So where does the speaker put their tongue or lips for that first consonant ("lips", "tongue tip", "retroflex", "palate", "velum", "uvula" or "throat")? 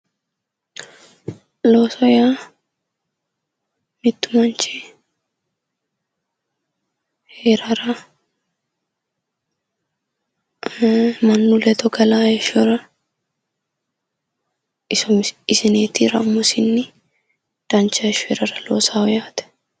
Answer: tongue tip